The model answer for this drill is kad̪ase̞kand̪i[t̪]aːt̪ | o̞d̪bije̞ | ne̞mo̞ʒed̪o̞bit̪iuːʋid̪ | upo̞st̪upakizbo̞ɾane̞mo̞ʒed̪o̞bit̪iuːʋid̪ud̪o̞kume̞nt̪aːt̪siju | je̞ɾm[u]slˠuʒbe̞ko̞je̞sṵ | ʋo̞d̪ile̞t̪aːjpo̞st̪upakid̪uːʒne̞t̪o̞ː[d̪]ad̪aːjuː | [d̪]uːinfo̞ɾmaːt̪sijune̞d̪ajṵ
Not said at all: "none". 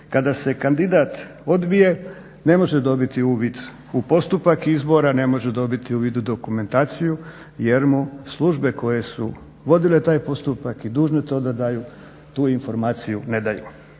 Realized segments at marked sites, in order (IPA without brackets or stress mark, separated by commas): d̪, u, d̪, t̪